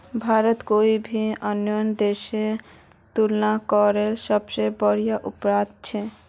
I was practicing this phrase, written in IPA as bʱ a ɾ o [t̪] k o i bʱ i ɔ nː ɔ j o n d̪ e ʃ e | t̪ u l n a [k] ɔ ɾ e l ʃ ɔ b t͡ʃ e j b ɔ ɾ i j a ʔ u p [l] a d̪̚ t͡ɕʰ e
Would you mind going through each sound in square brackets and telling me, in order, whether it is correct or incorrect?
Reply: correct, correct, incorrect: ɾ

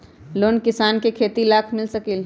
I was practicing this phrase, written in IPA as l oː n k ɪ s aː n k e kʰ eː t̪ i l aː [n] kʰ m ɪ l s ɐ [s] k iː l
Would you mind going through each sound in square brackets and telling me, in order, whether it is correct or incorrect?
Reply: incorrect: none, incorrect: none

